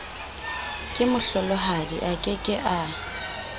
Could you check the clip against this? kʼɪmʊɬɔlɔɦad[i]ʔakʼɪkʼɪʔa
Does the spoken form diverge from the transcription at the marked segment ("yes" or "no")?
no